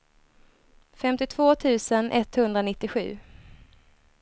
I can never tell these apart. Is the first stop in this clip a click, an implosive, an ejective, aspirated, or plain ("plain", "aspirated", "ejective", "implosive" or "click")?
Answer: plain